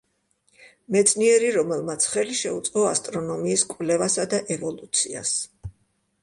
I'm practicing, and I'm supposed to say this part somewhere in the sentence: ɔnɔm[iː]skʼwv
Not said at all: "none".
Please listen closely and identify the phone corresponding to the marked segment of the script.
iː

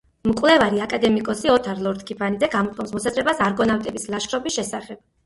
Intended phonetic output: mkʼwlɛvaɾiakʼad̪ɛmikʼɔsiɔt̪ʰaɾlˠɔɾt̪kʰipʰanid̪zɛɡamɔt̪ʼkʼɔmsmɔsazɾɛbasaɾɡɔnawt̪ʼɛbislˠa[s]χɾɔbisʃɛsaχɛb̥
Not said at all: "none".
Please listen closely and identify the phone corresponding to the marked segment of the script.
ʃ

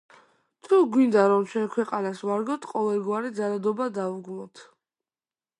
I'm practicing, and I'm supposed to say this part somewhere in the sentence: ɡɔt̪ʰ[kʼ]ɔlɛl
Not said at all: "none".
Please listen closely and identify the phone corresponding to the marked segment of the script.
qʼ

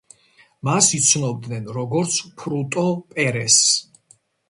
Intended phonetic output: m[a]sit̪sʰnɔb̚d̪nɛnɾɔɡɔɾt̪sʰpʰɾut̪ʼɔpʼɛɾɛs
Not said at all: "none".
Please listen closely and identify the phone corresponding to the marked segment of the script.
a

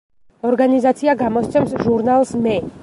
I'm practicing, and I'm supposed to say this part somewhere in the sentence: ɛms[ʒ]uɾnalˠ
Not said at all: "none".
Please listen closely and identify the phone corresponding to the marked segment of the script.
ʒ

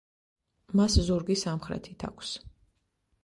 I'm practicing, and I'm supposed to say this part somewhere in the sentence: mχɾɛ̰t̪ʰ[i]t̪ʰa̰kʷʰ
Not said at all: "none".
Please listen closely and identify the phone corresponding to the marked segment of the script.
i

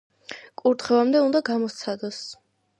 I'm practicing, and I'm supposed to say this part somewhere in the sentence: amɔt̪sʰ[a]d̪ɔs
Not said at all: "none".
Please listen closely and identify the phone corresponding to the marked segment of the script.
a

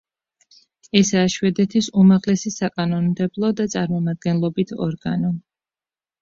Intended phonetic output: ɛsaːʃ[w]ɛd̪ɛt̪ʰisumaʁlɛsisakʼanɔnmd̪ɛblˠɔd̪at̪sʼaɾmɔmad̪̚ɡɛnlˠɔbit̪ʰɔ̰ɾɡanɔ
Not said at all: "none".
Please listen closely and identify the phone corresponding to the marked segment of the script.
w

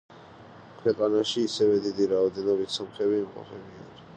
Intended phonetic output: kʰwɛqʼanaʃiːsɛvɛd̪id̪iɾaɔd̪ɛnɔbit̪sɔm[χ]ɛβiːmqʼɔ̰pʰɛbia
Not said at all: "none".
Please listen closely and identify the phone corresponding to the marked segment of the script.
χ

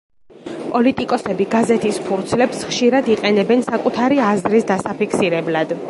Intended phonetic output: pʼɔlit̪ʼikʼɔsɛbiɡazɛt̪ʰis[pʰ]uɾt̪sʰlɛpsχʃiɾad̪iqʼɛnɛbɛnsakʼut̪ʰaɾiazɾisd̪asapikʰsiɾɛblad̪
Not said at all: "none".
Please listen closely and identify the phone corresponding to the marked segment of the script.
pʰ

